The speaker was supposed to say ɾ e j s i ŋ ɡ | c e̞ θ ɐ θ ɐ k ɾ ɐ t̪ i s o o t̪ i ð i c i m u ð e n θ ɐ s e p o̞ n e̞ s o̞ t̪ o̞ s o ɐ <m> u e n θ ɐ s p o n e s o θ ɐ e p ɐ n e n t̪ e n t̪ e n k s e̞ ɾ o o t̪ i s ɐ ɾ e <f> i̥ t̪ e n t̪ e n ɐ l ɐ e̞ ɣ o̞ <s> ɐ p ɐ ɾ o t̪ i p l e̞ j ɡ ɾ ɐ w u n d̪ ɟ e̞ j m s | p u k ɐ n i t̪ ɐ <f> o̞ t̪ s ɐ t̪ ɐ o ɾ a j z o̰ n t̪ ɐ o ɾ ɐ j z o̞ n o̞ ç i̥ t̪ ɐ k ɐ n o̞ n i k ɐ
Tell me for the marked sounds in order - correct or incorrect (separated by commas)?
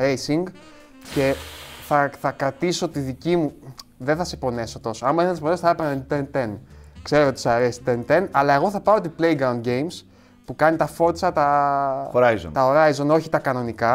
correct, incorrect, incorrect, correct